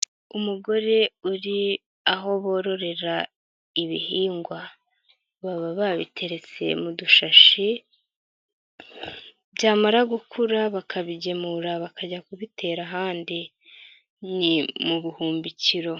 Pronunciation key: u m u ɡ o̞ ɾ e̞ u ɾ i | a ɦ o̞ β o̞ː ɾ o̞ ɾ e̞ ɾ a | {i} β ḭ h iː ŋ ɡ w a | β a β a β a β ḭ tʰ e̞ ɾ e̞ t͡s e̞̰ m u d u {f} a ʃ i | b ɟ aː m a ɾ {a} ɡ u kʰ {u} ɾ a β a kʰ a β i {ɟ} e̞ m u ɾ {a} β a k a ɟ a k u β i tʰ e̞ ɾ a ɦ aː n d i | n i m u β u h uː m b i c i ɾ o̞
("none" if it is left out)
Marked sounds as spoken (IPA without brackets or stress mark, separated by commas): i, ʃ, a, u, ɟ, a